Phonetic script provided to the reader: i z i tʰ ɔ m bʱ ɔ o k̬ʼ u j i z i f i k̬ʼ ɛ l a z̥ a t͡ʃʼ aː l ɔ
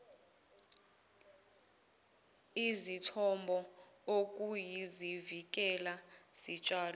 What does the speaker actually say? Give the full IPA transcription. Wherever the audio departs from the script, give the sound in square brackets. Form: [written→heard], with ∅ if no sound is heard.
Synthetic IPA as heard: i z i tʰ ɔ m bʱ ɔ o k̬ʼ u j i z i [f→v] i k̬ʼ ɛ l a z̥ [a→i] t͡ʃʼ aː l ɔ

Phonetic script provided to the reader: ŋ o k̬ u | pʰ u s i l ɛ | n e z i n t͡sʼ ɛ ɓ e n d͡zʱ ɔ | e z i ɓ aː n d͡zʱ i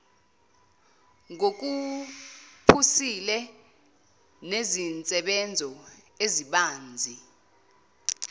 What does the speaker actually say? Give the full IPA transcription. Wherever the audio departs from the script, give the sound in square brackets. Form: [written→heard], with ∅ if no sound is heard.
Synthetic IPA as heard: ŋ o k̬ u | pʰ u s i l ɛ | n e z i n t͡sʼ ɛ ɓ [e→ɛ] n d͡zʱ ɔ | e z i ɓ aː n d͡zʱ i

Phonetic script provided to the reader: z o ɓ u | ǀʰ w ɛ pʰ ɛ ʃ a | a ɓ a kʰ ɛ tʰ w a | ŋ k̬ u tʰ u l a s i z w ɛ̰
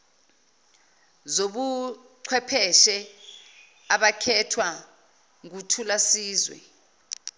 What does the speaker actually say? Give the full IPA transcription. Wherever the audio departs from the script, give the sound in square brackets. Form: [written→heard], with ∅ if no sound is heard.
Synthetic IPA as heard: z o ɓ u | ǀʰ w ɛ pʰ ɛ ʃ [a→ɛ] | a ɓ a kʰ ɛ tʰ w a | ŋ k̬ u tʰ u l a s [i→iː] z w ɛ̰

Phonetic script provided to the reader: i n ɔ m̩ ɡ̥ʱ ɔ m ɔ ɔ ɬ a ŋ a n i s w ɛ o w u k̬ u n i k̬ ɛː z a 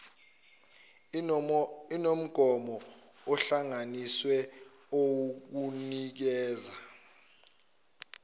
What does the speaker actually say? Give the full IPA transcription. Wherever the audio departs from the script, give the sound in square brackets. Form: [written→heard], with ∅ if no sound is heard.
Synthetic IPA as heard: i n [ɔ→o] m̩ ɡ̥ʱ ɔ m ɔ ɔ ɬ a ŋ a n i s w ɛ o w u k̬ u n i k̬ ɛː z a

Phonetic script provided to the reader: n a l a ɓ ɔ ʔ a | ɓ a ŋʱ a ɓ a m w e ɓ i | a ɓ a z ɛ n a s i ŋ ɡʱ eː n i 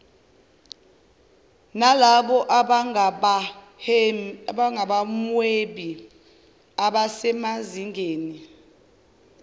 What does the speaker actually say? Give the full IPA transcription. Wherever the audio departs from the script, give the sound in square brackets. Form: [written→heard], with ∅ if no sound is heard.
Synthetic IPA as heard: n a l a ɓ ɔ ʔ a | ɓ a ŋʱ a ɓ a m w e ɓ i | a ɓ a [z→s] ɛ [n→m] a [s→z] i ŋ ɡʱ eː n i

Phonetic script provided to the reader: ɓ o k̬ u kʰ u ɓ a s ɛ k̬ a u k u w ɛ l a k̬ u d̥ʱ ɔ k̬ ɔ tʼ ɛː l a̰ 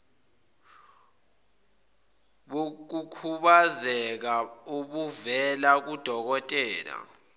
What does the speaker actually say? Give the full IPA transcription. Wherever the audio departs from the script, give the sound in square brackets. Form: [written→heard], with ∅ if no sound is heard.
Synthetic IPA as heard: ɓ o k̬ u kʰ u ɓ a [s→z] ɛ k̬ a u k u [w→v] ɛ l a k̬ u d̥ʱ ɔ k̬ ɔ tʼ ɛː l a̰

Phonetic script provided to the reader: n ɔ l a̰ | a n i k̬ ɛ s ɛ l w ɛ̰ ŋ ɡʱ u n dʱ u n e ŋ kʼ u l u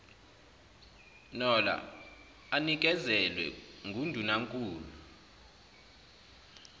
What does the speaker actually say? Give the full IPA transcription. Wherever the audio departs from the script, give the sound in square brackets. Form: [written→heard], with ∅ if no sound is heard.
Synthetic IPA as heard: n ɔ l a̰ | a n i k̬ ɛ [s→z] ɛ l w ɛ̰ ŋ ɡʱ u n dʱ u n [e→a] ŋ kʼ [u→uː] l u

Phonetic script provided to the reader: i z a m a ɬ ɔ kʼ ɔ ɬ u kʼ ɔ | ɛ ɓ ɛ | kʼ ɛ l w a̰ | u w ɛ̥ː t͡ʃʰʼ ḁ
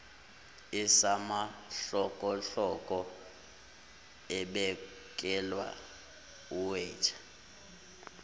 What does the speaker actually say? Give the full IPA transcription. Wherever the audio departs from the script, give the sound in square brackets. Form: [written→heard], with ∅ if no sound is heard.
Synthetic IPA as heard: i [z→s] a m a ɬ ɔ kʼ ɔ ɬ [u→ɔ] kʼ ɔ | ɛ ɓ ɛ | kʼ ɛ l w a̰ | u w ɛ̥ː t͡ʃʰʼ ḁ

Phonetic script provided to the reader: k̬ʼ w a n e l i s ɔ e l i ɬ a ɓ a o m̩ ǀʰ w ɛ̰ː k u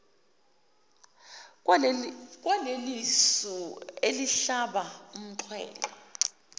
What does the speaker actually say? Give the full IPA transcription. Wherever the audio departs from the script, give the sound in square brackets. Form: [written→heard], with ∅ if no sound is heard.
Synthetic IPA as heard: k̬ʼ w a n e l i s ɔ e l i ɬ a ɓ a [o→u] m̩ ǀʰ w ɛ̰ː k [u→ɔ]

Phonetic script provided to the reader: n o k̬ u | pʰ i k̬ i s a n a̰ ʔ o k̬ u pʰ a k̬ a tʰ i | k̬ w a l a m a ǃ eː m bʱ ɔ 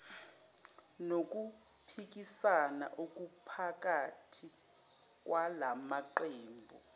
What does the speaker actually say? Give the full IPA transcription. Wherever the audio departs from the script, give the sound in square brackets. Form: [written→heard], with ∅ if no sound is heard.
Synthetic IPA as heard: n o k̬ u | pʰ i k̬ i s a n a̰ ʔ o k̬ u pʰ a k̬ a tʰ i | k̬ w a l a m a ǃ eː m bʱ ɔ

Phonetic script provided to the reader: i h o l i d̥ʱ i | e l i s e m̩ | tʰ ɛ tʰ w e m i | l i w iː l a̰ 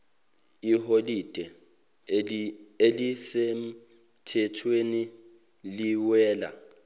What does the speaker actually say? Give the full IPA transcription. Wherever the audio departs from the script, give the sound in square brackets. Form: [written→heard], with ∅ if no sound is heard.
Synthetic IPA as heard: i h o l i d̥ʱ [i→ɛ] | e l i s e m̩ | tʰ ɛ tʰ w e [m→n] i | l i w [iː→ɛː] l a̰

